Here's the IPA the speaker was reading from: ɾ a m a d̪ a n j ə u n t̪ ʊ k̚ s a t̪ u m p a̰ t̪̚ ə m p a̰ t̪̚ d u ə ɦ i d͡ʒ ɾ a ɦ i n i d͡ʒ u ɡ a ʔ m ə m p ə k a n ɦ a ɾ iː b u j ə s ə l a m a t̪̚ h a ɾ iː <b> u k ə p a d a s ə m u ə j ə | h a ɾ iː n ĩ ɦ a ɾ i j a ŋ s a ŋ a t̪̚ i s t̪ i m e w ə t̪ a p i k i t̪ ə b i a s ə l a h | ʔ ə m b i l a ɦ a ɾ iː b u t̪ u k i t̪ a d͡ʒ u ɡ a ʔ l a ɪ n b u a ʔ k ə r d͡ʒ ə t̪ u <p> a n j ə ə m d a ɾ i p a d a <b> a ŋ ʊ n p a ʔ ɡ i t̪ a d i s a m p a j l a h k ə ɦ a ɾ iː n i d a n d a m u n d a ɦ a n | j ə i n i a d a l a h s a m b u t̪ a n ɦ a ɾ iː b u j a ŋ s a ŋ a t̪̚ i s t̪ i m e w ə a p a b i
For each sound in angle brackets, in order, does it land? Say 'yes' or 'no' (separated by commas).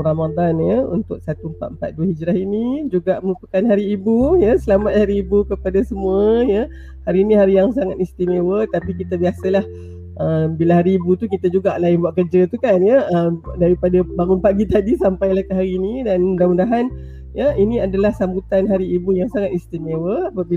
yes, no, yes